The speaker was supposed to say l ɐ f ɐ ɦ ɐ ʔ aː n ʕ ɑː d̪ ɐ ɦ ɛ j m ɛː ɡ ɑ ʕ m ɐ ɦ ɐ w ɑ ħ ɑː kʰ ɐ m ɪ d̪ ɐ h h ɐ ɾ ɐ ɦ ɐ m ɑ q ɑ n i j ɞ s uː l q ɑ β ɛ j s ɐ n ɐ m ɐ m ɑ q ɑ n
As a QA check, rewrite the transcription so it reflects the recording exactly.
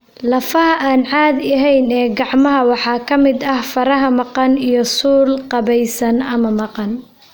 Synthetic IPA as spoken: l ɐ f ɐ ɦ ɐ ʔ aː n ʕ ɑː d̪ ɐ ɦ ɛ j n ɛː ɡ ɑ ʕ m ɐ ɦ ɐ w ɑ ħ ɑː kʰ ɐ m ɪ d̪ ɐ h f ɐ ɾ ɐ ɦ ɐ m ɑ q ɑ n i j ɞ s uː l q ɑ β ɛ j s ɐ n ɐ m ɐ m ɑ q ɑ n